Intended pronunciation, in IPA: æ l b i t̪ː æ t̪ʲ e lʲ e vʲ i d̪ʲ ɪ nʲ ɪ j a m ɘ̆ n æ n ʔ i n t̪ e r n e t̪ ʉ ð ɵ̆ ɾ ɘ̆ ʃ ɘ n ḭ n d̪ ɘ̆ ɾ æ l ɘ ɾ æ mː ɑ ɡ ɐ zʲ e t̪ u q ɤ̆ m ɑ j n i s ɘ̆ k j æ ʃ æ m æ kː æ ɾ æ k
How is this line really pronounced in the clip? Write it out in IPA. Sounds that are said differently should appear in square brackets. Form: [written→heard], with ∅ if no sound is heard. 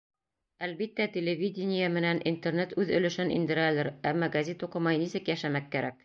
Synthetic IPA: æ l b i t̪ː æ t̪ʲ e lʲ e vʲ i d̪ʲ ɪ nʲ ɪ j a m ɘ̆ n æ n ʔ i n t̪ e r n e t̪ ʉ ð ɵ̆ [ɾ→l] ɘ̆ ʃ ɘ n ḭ n d̪ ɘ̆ ɾ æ l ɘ ɾ æ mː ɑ ɡ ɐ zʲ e t̪ u q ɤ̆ m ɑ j n i s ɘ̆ k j æ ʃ æ m æ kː æ ɾ æ k

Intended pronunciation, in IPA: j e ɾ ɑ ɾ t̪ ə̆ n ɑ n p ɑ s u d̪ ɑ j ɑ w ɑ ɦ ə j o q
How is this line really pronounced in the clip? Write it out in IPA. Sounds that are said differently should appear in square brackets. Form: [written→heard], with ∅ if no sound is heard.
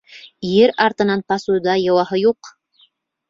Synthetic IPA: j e ɾ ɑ ɾ t̪ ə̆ n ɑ n p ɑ s u d̪ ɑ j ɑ w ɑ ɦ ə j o q

